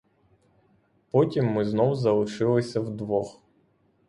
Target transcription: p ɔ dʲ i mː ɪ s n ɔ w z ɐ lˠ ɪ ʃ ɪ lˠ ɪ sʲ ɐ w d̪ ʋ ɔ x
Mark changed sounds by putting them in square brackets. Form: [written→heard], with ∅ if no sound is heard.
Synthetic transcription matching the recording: p ɔ [dʲ→tʲ] i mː ɪ [s→z] n ɔ w z ɐ lˠ ɪ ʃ ɪ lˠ ɪ sʲ ɐ w d̪ ʋ ɔ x